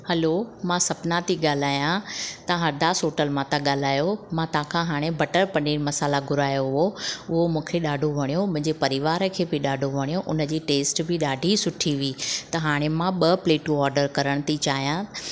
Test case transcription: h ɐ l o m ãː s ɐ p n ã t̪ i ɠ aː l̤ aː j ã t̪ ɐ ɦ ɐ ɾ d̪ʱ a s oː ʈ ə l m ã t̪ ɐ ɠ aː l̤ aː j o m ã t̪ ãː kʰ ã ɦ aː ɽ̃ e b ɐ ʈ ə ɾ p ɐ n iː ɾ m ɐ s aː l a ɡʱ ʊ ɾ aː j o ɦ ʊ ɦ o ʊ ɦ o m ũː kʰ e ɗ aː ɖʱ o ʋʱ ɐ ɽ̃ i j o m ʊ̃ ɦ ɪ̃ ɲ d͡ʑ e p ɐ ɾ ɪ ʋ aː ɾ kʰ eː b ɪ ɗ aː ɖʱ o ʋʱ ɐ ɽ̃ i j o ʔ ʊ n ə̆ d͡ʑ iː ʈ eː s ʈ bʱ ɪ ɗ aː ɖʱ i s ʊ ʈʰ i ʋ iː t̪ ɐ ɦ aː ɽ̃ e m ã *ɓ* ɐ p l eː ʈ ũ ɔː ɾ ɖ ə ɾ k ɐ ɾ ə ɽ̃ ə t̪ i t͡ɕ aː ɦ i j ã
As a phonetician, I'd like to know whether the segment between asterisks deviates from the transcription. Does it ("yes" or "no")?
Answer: no